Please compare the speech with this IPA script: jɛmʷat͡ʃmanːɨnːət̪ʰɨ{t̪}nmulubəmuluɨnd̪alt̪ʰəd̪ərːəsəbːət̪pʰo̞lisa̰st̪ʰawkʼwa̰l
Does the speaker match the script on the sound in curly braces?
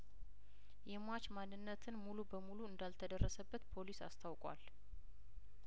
no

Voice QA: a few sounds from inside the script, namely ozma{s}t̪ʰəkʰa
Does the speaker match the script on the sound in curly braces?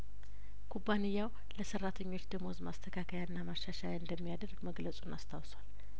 yes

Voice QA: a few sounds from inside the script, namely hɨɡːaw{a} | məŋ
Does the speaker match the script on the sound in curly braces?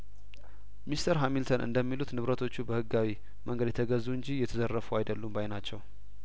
no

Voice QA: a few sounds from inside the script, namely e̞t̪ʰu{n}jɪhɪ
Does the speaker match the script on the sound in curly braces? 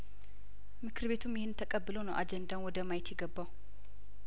no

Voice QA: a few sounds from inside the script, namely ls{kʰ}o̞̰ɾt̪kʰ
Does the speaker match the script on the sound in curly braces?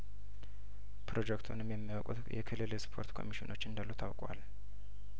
no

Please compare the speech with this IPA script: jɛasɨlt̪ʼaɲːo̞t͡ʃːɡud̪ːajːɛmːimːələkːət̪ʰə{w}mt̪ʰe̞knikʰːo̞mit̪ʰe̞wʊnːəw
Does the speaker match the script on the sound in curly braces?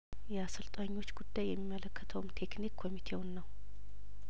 yes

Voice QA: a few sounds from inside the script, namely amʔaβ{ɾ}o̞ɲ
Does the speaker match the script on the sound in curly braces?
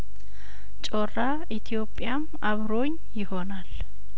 yes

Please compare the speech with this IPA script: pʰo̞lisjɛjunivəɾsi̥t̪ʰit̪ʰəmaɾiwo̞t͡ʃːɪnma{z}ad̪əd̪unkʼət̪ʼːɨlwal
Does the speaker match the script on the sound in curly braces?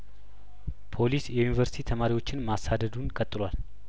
no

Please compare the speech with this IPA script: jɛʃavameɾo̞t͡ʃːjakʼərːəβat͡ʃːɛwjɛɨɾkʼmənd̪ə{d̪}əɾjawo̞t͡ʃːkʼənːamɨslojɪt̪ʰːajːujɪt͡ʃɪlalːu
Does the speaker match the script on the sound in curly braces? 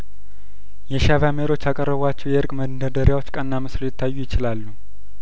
yes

